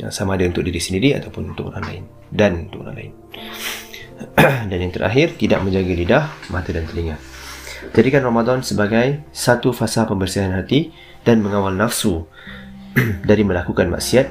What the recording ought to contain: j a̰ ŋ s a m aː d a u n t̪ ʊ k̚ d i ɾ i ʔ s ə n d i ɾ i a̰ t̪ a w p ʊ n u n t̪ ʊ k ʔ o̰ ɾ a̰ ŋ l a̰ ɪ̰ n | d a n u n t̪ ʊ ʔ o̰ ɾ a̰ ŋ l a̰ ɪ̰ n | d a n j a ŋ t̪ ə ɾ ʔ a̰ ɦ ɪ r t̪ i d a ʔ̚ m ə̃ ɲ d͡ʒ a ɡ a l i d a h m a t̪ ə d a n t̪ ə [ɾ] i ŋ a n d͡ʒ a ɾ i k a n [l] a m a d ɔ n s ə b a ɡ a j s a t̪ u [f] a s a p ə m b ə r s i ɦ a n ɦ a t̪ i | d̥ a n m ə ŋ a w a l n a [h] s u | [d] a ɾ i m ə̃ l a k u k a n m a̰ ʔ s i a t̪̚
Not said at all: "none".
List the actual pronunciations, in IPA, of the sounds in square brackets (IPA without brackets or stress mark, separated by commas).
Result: l, r, f, f, d